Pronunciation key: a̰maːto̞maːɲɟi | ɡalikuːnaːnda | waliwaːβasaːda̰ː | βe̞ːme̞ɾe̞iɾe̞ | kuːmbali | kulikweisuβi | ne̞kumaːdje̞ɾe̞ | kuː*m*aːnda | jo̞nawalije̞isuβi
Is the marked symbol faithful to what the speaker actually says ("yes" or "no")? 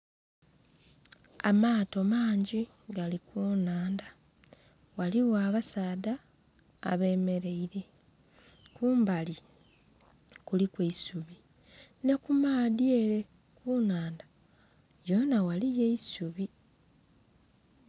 no